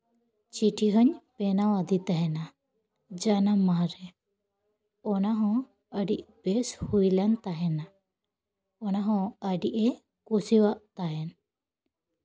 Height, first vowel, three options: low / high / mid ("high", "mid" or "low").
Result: high